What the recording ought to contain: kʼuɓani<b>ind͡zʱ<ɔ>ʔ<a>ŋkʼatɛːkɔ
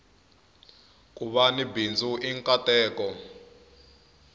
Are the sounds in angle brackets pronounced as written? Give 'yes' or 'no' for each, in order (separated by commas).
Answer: yes, no, no